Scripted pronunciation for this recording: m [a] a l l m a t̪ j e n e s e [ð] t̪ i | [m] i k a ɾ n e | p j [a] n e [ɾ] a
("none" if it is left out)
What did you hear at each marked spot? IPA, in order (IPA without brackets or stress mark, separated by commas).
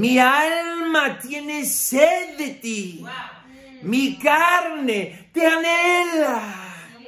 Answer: i, ð, m, a, l